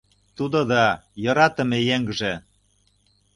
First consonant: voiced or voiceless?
voiceless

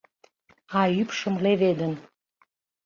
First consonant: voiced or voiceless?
voiceless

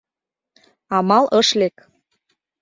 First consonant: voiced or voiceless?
voiced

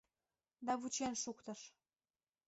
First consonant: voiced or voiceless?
voiced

